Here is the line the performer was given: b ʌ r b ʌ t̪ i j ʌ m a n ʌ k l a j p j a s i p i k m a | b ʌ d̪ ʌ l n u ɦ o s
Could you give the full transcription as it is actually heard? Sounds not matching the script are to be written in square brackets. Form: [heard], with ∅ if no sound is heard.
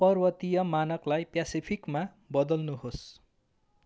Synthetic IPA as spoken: [p] ʌ r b ʌ t̪ i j ʌ m a n ʌ k l a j p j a s i [pʰ] i k m a | b ʌ d̪ ʌ l n u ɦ o s